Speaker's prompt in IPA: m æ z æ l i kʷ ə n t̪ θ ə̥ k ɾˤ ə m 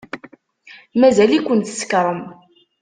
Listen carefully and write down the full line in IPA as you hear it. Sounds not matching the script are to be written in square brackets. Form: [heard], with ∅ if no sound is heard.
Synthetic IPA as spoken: m æ z æ l i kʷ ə n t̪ [s] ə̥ k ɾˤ ə m